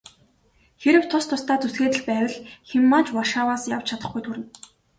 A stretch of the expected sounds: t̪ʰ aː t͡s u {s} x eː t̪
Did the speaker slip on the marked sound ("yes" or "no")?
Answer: no